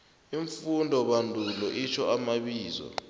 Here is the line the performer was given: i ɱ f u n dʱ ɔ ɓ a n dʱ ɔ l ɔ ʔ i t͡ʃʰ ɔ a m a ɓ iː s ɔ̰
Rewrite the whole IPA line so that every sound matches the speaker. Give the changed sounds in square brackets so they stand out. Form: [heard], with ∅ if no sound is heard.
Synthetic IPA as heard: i ɱ f u n dʱ ɔ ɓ a n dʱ [u] l ɔ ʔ i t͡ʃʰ ɔ a m a ɓ iː [z] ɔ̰